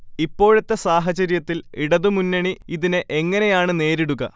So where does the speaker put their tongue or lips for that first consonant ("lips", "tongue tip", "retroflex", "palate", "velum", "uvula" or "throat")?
lips